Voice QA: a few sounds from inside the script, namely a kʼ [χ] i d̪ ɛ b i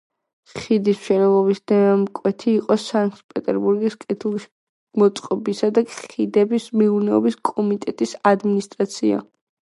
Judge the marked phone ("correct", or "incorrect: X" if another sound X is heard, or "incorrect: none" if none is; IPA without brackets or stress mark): correct